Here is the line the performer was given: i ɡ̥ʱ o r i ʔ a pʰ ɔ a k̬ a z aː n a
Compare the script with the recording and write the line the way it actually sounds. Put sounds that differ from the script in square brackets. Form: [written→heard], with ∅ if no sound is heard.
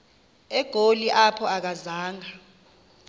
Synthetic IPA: [i→ɛ] ɡ̥ʱ o [r→l] i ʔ a pʰ ɔ a k̬ a z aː [n→ŋ] a